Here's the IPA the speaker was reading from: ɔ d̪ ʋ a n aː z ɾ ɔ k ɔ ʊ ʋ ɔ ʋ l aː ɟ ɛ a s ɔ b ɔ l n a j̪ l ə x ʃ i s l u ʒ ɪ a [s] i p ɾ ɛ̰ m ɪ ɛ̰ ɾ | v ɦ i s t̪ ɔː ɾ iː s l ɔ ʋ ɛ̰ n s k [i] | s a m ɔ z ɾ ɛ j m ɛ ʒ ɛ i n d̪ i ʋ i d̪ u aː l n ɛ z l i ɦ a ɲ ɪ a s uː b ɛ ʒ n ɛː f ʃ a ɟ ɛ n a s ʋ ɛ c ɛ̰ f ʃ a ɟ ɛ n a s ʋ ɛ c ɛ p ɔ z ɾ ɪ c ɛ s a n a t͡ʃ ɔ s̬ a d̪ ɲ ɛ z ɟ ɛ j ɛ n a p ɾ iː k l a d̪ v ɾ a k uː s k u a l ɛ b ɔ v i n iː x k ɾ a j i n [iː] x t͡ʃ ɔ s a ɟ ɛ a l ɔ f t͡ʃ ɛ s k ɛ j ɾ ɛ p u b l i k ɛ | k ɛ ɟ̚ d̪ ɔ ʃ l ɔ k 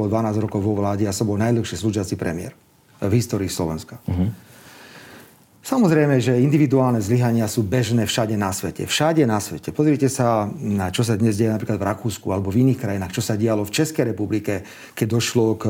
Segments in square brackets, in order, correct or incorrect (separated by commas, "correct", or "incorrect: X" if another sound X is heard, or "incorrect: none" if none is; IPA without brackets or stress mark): incorrect: t͡s, incorrect: a, incorrect: aː